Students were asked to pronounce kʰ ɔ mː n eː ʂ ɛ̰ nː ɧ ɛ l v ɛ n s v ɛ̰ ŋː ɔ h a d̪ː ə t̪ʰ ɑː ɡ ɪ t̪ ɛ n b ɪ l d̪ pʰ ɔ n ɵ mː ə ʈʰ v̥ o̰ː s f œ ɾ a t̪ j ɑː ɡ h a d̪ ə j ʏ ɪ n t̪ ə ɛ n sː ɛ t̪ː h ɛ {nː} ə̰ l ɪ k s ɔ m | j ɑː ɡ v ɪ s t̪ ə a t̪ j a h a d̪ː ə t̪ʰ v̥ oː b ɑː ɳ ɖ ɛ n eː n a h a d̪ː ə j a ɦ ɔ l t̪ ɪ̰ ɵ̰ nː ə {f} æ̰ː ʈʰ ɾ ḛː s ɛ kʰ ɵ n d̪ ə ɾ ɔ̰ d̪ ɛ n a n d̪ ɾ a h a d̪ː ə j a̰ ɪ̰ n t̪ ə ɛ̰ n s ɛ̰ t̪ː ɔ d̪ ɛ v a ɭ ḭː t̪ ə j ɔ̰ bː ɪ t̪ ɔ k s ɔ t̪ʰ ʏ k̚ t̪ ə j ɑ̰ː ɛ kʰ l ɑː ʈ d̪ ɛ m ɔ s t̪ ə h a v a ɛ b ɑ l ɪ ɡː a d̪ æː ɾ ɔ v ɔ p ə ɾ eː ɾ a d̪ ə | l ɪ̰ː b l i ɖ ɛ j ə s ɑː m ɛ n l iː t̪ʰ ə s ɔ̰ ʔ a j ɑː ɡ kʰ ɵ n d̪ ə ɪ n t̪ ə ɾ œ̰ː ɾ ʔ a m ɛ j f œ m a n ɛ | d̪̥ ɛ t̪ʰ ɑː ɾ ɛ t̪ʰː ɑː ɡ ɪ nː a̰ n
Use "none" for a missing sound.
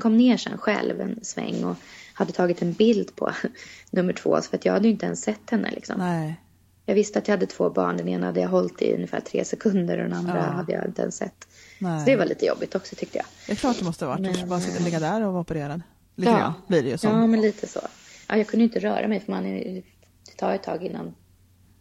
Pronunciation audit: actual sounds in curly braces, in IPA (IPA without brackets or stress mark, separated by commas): nː, f